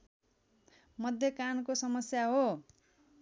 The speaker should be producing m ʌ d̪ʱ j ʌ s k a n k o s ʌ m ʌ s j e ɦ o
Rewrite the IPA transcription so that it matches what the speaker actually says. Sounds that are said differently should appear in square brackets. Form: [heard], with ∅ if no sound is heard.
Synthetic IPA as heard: m ʌ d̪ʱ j ʌ [∅] k a n k o s ʌ m ʌ s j [a] ɦ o